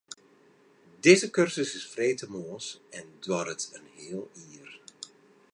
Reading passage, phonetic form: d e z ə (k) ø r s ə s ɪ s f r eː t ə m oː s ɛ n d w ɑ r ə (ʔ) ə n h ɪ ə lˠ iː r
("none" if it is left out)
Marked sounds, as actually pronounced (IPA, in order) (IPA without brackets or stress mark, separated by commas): k, t